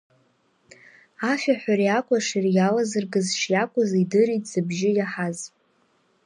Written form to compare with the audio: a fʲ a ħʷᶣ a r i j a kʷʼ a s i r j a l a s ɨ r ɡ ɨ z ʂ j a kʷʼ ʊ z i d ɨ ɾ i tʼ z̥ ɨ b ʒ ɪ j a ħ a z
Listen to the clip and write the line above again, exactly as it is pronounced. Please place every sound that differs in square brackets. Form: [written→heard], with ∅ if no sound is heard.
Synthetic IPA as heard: a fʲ a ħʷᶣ a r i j a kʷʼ a [s→ʂ] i r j a l a [s→z] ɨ r ɡ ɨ z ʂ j a kʷʼ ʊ z i d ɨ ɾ i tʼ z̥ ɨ b ʒ ɪ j a ħ a z